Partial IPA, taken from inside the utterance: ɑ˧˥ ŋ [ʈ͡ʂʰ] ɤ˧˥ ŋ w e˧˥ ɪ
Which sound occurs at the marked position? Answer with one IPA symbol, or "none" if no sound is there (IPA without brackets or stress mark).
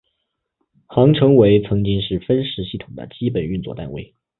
ʈ͡ʂʰ